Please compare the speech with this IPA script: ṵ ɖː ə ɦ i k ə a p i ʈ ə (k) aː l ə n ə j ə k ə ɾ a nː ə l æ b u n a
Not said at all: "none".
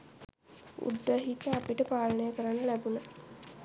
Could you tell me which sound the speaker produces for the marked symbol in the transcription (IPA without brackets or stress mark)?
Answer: p